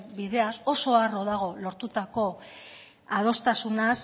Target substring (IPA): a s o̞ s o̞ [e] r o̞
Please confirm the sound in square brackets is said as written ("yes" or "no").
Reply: no